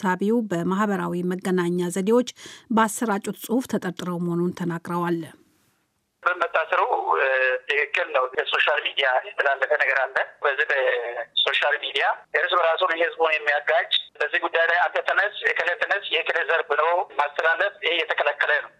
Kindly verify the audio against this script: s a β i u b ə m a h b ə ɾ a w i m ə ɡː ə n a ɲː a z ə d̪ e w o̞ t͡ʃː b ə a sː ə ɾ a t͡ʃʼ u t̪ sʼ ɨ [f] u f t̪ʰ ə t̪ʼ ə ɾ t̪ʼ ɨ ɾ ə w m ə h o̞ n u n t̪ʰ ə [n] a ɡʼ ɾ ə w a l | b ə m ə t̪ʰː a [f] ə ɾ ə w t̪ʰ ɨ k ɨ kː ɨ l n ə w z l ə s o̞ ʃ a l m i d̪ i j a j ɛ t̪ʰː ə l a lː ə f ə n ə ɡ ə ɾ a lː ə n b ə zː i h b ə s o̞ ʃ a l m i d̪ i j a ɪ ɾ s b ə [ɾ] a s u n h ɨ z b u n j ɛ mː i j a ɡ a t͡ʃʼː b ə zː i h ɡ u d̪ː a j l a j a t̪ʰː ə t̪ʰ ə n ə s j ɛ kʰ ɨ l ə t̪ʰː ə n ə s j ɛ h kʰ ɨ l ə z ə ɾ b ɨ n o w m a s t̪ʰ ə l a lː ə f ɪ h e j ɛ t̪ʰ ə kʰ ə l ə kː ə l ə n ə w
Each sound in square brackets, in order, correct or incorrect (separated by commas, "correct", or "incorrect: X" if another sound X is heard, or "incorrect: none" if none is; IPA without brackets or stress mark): incorrect: h, correct, incorrect: s, correct